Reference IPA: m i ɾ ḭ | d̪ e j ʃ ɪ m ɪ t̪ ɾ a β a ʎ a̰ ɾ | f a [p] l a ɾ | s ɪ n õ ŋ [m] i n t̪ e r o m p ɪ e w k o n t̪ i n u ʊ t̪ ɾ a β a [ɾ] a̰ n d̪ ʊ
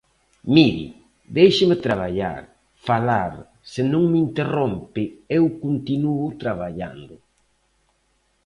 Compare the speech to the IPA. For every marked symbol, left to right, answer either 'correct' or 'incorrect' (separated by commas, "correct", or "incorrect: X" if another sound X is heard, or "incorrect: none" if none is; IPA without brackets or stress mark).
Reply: incorrect: none, correct, incorrect: ʎ